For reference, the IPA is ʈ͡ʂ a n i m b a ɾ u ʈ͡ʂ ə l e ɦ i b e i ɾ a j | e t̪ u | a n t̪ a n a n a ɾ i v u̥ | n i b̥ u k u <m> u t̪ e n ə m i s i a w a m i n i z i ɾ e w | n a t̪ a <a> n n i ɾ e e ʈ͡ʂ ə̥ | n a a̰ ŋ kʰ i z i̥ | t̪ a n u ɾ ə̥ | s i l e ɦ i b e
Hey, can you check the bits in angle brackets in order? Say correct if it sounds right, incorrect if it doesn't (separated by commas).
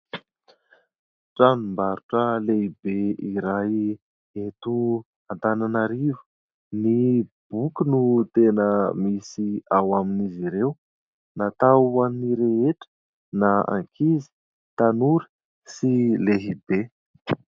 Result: incorrect, correct